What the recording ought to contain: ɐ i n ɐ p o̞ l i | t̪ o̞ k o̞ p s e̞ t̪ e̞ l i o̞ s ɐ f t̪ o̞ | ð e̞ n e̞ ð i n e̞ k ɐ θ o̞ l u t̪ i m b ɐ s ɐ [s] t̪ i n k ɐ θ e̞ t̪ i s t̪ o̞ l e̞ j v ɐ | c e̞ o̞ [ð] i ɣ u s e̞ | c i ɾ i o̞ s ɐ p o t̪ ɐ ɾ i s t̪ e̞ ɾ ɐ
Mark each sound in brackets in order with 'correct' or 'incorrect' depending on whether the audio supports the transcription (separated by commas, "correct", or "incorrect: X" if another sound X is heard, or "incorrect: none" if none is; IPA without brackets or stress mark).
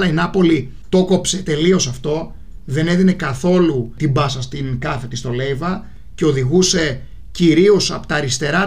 correct, correct